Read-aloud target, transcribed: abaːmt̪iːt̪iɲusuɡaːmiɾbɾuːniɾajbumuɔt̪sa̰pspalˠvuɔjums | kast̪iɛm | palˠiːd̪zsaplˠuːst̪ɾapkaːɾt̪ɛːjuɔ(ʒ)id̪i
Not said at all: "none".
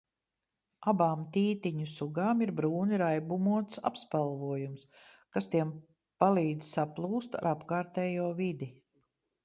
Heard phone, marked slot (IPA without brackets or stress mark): v